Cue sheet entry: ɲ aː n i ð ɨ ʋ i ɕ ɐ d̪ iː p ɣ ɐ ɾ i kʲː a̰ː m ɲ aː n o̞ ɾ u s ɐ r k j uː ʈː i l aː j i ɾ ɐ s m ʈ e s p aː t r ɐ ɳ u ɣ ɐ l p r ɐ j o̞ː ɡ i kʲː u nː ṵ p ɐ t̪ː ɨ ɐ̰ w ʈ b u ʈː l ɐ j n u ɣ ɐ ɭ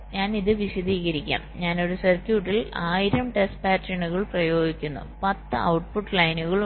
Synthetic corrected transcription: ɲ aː n i ð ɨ ʋ i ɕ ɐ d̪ iː ɣ ɐ ɾ i kʲː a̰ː m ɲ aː n o̞ ɾ u s ɐ r k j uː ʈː i l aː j i ɾ ɐ m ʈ e s p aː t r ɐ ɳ u ɣ ɐ ɭ p r ɐ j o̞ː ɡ i kʲː u nː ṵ p ɐ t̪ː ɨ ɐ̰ w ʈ p u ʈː l ɐ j n u ɣ ɐ ɭ